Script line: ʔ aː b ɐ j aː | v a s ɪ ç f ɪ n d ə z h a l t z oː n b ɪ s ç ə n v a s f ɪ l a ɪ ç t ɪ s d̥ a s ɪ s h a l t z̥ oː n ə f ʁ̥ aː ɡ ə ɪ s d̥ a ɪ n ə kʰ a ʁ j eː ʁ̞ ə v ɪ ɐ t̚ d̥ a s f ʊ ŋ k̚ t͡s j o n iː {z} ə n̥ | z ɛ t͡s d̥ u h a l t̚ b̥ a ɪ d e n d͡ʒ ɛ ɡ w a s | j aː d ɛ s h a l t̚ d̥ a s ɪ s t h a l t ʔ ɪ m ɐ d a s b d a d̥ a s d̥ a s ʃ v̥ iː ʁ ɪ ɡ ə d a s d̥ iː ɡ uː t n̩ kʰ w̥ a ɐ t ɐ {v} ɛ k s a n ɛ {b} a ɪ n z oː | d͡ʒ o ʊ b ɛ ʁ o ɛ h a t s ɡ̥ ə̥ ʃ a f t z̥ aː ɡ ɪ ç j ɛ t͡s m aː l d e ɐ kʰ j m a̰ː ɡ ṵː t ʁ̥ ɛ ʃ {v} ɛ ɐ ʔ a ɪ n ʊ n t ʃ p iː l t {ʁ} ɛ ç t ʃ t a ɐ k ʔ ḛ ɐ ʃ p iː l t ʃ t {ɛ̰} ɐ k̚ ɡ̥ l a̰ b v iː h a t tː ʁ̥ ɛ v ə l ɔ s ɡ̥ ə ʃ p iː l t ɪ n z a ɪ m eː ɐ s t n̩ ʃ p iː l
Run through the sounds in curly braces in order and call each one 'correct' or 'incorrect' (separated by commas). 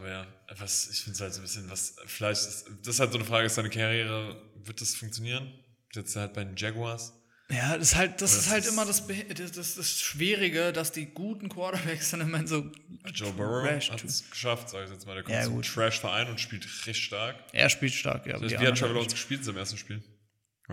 incorrect, incorrect, incorrect, incorrect, correct, incorrect